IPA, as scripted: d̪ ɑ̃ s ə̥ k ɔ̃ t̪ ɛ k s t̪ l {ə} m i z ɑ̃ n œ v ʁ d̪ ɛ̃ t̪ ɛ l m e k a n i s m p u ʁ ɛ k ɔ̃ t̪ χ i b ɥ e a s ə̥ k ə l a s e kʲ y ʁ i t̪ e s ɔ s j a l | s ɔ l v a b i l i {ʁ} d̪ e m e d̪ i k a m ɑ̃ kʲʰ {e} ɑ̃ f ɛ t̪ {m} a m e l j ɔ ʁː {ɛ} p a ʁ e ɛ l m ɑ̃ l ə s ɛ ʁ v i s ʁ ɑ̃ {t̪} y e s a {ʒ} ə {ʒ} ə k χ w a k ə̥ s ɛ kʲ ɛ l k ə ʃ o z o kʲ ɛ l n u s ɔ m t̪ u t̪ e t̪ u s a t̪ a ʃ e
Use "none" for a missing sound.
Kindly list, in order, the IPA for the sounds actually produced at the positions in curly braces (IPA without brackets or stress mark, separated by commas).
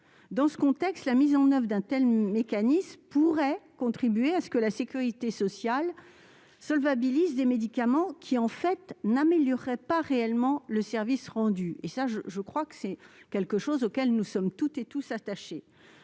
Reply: a, z, i, n, ɛ, d̪, ʒ, ʒ